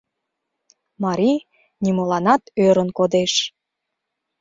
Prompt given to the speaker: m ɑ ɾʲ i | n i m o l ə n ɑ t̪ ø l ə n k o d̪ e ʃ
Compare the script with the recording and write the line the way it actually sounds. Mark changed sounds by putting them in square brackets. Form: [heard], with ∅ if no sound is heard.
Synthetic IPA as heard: m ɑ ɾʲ i | n i m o l [ɑ] n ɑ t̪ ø [ɾ] ə n k o d̪ e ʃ